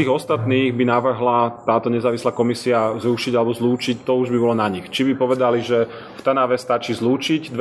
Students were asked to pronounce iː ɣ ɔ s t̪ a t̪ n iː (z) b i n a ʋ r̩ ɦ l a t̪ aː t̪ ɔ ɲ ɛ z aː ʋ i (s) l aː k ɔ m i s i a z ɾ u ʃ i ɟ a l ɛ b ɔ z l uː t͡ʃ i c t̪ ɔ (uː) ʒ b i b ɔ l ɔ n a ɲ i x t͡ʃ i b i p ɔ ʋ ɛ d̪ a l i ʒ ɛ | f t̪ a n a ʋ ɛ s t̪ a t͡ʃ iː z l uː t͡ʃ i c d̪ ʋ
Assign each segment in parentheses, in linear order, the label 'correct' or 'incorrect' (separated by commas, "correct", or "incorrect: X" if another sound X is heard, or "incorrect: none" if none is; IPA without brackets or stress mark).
incorrect: ɣ, correct, incorrect: u